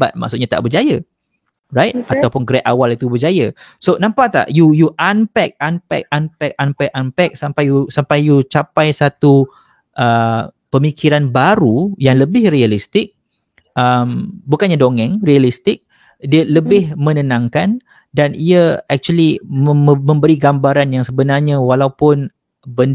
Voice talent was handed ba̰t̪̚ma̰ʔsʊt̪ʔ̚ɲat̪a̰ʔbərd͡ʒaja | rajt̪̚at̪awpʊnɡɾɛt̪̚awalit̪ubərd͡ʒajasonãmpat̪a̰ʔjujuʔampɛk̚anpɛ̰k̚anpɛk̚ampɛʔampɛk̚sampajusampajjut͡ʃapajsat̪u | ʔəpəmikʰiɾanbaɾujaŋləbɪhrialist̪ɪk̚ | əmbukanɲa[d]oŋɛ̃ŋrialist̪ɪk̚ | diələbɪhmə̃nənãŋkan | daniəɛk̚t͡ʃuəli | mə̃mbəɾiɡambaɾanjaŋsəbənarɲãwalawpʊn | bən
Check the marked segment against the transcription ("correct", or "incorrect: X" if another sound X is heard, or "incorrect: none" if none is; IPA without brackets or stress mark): correct